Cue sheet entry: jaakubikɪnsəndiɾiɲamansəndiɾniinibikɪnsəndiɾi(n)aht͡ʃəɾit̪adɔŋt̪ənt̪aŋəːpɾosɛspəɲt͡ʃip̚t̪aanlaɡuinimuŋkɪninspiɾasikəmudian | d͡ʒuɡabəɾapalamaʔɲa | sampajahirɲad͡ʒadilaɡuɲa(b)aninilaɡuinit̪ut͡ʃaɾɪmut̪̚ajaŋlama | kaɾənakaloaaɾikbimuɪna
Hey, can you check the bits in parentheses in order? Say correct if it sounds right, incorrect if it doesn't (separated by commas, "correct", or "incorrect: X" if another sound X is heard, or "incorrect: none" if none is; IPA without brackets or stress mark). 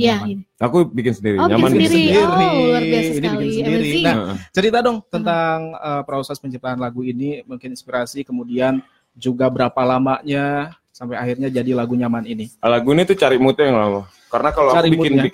correct, incorrect: m